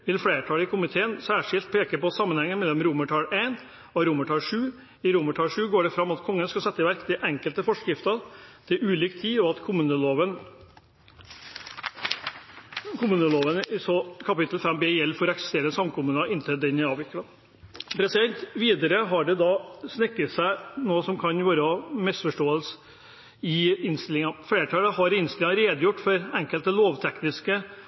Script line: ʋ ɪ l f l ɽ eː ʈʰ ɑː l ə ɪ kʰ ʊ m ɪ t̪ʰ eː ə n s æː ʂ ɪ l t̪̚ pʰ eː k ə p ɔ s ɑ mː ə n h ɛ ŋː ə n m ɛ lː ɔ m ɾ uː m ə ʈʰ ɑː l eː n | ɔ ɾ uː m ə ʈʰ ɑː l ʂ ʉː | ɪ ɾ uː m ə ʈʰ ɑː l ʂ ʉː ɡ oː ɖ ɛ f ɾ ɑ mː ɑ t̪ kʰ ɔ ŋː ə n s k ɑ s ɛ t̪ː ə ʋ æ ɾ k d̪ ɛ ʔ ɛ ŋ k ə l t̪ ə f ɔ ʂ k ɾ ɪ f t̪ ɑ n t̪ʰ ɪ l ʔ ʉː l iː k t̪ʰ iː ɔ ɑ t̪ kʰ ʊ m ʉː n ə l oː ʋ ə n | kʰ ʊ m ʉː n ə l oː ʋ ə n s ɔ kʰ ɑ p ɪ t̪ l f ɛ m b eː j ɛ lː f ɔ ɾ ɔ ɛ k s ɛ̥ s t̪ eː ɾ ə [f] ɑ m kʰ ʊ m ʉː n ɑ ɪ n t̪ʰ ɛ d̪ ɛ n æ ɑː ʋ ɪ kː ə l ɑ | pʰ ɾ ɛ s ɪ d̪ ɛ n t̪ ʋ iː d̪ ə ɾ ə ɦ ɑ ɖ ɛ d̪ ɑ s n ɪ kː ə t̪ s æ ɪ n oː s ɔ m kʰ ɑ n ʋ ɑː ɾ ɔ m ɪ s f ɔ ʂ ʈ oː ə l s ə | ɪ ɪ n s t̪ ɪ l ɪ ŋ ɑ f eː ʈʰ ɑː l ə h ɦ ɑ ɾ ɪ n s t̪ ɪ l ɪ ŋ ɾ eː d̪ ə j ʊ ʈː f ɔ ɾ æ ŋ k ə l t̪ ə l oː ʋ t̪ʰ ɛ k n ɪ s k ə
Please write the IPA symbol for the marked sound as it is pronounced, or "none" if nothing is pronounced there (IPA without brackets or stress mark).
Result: s